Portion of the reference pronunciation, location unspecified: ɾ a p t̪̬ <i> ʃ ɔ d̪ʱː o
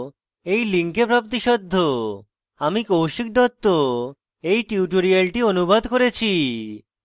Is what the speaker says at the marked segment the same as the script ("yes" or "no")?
yes